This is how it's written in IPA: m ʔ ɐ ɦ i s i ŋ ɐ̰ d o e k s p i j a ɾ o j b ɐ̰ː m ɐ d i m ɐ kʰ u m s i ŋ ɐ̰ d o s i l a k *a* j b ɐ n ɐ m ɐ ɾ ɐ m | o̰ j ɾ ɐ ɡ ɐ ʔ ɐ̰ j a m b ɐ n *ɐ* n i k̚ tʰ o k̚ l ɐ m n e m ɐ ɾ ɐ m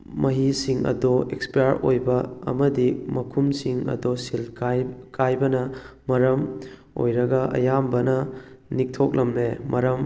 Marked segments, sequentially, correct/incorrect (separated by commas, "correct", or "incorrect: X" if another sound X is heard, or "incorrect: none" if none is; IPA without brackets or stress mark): correct, correct